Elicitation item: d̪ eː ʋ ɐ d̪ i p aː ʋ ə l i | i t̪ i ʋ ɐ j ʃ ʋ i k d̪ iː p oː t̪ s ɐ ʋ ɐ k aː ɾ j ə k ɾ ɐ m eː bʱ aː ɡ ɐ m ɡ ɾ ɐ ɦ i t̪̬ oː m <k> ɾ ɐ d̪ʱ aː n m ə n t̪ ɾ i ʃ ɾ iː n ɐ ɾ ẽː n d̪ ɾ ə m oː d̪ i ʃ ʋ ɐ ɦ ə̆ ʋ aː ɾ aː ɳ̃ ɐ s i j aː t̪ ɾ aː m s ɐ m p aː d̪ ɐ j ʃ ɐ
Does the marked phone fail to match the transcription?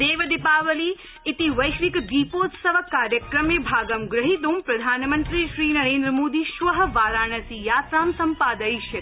yes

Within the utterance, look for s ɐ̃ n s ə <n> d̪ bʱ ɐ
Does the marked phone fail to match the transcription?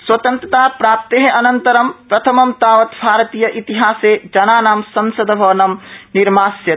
yes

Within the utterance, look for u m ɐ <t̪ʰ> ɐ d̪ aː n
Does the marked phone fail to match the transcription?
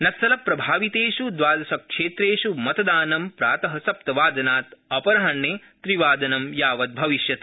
yes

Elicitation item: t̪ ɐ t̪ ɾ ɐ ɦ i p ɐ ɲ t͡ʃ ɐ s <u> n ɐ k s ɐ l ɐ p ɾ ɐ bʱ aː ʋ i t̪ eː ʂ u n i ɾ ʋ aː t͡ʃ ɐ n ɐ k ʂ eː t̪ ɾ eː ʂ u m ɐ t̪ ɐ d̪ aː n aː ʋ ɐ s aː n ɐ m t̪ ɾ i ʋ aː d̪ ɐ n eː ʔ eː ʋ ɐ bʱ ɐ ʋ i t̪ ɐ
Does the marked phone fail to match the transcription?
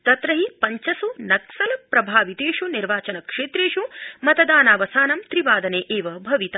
no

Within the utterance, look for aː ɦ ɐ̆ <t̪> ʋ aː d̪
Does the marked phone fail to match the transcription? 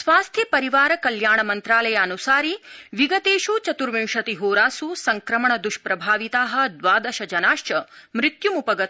yes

